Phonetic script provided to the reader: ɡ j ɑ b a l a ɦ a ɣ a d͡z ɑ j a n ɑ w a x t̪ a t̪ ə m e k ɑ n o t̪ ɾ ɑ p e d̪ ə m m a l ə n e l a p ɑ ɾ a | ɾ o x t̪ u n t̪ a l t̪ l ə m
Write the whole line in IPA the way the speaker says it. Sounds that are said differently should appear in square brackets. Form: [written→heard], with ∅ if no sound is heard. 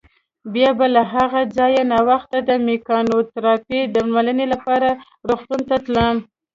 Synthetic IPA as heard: [ɡ→b] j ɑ b a l a ɦ a ɣ a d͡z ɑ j a n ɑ w a x t̪ a [t̪→d̪] ə m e k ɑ n o t̪ ɾ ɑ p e d̪ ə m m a l ə n e l a p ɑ ɾ a | ɾ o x t̪ u n t̪ a [l→∅] t̪ l ə m